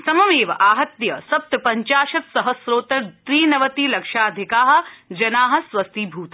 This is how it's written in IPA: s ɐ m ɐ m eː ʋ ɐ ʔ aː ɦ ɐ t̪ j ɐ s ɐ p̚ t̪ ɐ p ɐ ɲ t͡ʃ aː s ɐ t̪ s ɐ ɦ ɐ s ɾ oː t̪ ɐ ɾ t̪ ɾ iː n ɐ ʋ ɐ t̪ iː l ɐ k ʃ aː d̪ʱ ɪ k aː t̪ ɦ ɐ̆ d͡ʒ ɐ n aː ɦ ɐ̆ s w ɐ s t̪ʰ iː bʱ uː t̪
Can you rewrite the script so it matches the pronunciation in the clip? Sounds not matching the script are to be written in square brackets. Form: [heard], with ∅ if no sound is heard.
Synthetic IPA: s ɐ m ɐ m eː ʋ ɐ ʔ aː ɦ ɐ t̪ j ɐ s ɐ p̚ t̪ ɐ p ɐ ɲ t͡ʃ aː [ʃ] ɐ t̪ s ɐ ɦ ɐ s ɾ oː t̪ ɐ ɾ t̪ ɾ iː n ɐ ʋ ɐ t̪ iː l ɐ k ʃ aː d̪ʱ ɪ k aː [∅] ɦ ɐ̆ d͡ʒ ɐ n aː ɦ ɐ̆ s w ɐ s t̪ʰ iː bʱ uː t̪